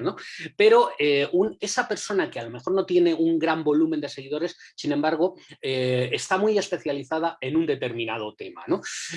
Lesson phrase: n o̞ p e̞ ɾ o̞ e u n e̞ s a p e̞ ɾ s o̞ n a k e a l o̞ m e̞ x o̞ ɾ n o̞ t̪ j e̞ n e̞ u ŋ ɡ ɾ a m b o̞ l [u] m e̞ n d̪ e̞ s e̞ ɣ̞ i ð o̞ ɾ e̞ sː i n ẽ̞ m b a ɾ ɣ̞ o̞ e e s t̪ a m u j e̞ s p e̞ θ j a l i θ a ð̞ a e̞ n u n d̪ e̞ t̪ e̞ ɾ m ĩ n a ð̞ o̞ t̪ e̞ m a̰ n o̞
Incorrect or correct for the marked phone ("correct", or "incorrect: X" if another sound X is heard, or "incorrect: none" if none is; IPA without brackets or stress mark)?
correct